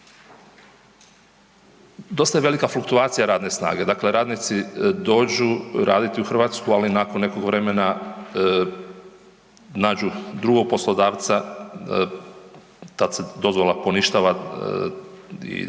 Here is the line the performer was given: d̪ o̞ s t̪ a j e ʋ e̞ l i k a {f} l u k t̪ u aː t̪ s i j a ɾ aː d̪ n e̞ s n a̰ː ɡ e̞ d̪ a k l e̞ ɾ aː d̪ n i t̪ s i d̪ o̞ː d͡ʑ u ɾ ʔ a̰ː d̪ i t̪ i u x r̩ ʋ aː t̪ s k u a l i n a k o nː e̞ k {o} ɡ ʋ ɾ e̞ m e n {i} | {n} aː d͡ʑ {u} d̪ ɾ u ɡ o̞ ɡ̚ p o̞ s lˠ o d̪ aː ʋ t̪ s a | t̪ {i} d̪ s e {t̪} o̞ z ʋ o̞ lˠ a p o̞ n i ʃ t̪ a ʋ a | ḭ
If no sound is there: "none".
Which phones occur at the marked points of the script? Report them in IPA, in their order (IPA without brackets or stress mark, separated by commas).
f, o, a, n, u, a, d̪